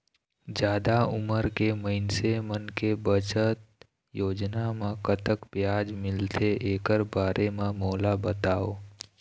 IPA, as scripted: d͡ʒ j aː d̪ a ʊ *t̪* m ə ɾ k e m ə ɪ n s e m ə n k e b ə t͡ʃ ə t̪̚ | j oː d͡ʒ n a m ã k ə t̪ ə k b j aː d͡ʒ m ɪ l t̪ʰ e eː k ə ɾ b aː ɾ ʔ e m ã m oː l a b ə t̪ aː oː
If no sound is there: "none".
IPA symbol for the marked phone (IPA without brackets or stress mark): none